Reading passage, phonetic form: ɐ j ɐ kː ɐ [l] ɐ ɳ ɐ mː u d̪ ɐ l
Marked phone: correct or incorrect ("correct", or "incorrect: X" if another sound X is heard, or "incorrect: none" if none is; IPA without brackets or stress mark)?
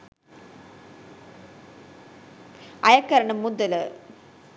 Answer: incorrect: ɾ